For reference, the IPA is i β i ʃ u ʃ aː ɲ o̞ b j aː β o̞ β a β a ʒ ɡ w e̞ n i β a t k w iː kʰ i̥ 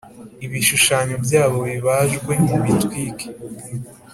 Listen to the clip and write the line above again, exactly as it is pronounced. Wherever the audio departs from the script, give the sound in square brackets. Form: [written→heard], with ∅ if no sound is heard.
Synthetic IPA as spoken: i β i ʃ u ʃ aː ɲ o̞ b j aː β o̞ β [a→i] β a ʒ ɡ w e̞ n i β [a→i] t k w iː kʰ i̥